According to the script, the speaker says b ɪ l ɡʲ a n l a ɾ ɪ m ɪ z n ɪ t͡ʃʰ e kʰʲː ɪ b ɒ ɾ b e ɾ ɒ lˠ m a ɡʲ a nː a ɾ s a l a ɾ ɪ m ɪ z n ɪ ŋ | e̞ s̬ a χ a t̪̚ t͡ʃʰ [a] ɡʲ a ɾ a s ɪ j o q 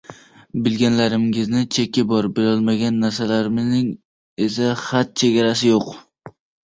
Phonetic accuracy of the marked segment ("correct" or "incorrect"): incorrect